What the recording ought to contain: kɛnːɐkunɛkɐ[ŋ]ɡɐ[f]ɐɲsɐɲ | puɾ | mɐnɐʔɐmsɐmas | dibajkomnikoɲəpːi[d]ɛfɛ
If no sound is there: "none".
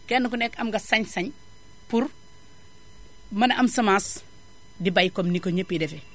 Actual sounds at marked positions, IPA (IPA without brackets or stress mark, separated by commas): m, s, d